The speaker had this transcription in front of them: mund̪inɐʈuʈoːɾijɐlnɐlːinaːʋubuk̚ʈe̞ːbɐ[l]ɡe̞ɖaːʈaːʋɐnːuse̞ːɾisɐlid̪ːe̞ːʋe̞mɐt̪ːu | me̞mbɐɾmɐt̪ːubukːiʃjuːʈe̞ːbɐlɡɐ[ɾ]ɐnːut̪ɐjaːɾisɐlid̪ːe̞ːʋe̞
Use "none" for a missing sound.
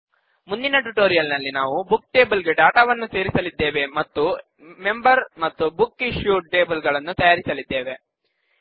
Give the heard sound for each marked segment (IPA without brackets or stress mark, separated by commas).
l, ɭ